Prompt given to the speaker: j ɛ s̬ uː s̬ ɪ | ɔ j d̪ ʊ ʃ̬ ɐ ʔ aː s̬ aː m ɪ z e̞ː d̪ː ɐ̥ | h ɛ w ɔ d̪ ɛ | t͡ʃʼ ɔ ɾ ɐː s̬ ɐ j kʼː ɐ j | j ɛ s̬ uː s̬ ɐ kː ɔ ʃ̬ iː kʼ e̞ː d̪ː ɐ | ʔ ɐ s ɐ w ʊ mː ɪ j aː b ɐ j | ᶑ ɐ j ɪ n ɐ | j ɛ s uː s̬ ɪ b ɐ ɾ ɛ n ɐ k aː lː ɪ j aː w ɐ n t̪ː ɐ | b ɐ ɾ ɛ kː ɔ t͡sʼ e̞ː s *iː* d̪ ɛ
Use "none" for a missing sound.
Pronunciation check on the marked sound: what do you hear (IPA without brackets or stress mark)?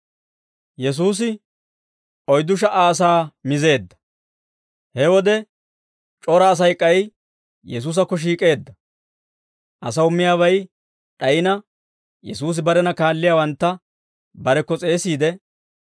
iː